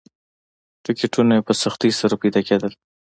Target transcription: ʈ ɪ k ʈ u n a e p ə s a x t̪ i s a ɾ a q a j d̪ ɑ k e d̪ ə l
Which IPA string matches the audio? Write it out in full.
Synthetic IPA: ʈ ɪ k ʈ u n a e p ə s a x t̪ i s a ɾ a p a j d̪ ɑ k e d̪ ə l